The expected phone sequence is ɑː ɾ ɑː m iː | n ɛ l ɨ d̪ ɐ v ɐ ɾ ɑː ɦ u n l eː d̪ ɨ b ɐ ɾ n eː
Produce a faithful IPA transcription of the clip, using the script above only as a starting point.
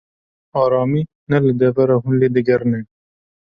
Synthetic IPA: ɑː ɾ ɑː m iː | n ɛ l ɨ d̪ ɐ v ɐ ɾ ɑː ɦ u n l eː d̪ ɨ ɡ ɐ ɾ n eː

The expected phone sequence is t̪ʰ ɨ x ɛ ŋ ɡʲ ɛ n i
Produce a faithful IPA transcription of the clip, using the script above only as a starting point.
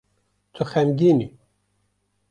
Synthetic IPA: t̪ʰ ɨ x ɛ m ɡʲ i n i

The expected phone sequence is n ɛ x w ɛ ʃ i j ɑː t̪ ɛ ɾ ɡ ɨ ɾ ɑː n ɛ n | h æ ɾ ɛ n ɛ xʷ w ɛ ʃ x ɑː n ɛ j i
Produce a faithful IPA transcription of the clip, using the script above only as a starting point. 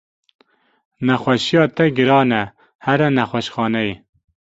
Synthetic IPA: n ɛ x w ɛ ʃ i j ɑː t̪ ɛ ɡ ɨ ɾ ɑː n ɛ | h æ ɾ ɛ n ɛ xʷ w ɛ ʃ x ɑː n ɛ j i

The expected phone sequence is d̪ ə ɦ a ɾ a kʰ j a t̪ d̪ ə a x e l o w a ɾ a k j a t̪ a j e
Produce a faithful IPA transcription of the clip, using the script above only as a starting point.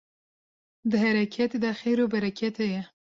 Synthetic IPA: d̪ ə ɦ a ɾ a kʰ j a t̪ d̪ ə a x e ɾ o b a ɾ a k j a t̪ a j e

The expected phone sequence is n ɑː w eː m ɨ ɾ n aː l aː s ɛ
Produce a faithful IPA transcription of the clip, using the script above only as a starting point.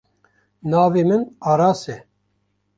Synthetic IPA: n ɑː v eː m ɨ n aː ɾ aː s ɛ

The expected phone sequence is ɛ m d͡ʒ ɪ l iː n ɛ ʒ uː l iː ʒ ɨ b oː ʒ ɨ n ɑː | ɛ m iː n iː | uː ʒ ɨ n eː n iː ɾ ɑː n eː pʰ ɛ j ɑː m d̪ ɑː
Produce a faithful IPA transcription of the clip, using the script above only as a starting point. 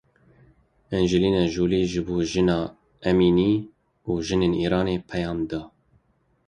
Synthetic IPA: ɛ n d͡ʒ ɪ l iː n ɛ ʒ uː l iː ʒ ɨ b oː ʒ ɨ n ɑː | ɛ m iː n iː | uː ʒ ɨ n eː n iː ɾ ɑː n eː pʰ ɛ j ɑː m d̪ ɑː

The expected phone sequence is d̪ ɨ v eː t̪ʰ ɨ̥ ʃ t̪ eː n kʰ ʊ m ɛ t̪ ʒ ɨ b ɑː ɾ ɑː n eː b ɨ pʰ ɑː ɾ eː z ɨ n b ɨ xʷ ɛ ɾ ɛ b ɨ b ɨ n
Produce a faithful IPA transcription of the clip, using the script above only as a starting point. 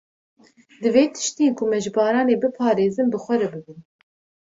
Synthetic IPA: d̪ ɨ v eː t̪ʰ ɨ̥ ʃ t̪ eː n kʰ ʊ m ɛ ʒ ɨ b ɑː ɾ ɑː n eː b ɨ pʰ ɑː ɾ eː z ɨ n b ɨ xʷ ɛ ɾ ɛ b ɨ b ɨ n

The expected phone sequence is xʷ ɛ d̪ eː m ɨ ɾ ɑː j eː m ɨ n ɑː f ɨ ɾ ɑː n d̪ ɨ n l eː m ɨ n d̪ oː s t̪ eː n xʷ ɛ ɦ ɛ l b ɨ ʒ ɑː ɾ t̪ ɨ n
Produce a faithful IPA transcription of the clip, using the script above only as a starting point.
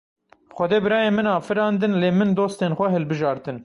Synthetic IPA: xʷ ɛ d̪ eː b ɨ ɾ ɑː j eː m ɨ n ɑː f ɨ ɾ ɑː n d̪ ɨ n l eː m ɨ n d̪ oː s t̪ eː n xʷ ɛ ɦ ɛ l b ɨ ʒ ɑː ɾ t̪ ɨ n

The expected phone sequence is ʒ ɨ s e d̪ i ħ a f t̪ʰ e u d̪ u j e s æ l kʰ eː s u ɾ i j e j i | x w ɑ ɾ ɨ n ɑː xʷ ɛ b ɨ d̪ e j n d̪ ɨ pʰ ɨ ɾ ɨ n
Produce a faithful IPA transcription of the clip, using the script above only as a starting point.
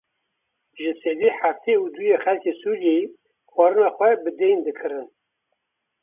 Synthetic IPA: ʒ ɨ s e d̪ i ħ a f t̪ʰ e u d̪ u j e x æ l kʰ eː s u ɾ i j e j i | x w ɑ ɾ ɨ n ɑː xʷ ɛ b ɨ d̪ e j n d̪ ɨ kʰ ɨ ɾ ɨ n

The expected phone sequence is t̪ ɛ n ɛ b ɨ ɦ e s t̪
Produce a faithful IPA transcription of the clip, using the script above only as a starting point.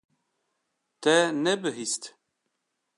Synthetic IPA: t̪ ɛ n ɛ b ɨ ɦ i s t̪

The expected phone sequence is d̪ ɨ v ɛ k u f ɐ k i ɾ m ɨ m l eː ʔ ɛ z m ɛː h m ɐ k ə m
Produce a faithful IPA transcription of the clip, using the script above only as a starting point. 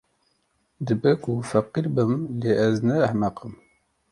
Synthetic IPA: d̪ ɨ b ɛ k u f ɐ q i ɾ b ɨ m l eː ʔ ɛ z n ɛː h m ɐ q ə m

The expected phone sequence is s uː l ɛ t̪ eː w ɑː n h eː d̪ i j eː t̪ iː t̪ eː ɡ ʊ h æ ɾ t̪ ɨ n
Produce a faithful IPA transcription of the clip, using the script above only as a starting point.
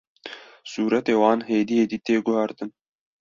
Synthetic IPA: s uː ɾ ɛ t̪ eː w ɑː n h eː d̪ i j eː d̪ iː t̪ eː ɡ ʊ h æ ɾ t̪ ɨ n

